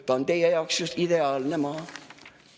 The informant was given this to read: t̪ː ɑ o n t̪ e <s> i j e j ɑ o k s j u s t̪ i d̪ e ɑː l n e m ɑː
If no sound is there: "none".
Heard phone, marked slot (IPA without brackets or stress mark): none